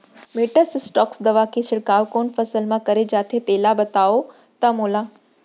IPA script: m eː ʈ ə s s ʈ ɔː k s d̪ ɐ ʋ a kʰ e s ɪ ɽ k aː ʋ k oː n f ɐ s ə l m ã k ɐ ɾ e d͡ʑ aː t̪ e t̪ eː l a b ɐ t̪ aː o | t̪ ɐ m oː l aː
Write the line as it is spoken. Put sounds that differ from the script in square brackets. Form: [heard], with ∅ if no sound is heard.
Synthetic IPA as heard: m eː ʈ ə s s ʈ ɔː k s d̪ ɐ ʋ a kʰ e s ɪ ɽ k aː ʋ k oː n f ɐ s ə l m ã k ɐ ɾ e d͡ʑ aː [t̪ʰ] e t̪ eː l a b ɐ t̪ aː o | t̪ ɐ m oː l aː